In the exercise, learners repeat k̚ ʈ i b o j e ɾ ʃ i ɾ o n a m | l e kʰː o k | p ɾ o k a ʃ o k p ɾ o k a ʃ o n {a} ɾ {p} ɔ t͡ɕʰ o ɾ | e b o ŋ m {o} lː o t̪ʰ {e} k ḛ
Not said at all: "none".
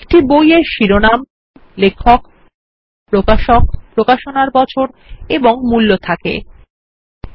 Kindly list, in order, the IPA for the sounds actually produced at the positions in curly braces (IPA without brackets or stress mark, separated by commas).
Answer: a, b, u, a